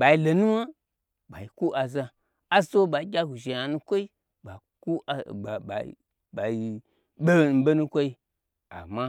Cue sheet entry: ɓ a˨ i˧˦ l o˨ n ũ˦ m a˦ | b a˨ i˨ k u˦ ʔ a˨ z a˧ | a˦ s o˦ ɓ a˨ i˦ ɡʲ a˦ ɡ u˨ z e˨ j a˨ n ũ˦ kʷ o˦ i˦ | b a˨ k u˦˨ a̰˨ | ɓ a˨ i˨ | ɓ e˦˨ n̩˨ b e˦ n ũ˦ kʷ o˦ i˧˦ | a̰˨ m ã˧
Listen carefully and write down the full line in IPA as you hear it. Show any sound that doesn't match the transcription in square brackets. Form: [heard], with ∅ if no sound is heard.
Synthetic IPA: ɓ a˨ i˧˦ l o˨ n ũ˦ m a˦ | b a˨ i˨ k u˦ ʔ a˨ z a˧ | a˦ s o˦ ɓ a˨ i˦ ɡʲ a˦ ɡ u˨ [ʒ] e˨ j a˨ n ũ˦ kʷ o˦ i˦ | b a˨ k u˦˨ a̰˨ | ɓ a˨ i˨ | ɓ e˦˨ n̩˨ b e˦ n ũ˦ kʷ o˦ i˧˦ | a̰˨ m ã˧